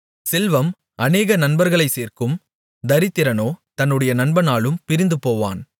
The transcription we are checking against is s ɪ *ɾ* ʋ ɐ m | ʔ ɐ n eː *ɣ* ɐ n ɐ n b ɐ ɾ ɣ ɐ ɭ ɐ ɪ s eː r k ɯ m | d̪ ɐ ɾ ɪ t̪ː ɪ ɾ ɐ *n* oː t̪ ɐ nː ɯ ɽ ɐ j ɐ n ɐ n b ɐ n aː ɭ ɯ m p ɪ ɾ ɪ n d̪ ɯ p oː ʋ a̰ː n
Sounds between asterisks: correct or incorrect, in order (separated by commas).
incorrect, correct, correct